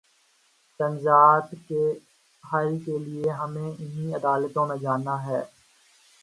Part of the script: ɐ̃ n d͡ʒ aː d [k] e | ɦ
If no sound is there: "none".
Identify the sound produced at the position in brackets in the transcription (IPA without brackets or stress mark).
k